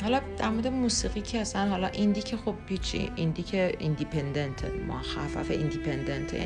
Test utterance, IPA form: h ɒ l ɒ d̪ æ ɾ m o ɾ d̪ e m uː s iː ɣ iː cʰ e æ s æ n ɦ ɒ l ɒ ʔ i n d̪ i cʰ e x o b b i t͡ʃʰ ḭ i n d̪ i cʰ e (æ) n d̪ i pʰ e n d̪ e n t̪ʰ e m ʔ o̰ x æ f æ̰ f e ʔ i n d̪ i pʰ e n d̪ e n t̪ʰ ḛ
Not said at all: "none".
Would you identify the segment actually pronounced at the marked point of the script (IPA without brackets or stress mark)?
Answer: i